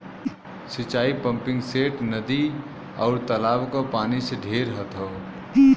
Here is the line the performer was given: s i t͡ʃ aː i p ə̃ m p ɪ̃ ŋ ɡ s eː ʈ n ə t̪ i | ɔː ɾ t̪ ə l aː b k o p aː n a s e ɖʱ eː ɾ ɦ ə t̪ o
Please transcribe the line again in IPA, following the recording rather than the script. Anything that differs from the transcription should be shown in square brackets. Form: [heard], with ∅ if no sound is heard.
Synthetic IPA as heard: s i t͡ʃ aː i p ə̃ m p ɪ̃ ŋ ɡ s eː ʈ n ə [d̪] i | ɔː ɾ t̪ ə l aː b k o p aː n [i] s e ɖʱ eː ɾ ɦ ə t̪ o